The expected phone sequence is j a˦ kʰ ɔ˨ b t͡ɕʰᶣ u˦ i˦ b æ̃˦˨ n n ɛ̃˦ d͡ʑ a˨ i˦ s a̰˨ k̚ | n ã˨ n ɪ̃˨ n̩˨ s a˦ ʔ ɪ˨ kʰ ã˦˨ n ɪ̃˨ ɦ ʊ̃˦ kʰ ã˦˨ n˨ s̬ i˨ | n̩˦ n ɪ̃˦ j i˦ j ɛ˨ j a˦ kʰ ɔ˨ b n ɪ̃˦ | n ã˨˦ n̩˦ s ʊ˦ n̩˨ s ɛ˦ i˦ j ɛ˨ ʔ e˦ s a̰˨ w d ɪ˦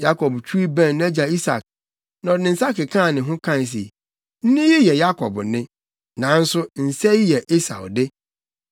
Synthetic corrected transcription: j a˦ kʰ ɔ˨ b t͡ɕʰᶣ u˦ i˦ b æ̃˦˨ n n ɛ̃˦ d͡ʑ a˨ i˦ s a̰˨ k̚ | n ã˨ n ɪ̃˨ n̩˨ s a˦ k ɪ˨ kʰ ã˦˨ n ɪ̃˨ ɦ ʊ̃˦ kʰ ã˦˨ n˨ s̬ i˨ | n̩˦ n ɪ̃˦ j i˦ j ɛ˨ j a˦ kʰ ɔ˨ b n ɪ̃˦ | n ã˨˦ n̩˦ s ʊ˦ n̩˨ s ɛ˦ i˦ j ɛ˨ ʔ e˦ s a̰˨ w d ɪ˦